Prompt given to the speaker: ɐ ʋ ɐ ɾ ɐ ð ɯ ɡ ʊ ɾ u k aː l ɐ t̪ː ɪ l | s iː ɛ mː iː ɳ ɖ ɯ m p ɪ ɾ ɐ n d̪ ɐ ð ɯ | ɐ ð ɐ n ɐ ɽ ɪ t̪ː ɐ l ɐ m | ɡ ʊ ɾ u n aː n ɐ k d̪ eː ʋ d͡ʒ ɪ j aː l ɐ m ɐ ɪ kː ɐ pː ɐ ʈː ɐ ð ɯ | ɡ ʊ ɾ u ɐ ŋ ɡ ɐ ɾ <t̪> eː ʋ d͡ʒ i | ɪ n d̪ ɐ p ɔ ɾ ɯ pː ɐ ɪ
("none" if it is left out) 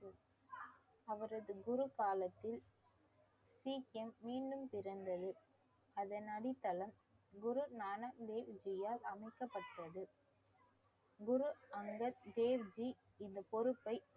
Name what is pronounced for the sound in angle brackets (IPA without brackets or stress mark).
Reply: d̪